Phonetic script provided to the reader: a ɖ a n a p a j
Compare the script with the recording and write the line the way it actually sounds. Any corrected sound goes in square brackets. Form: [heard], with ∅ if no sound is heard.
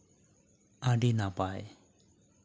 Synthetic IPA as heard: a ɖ [i] n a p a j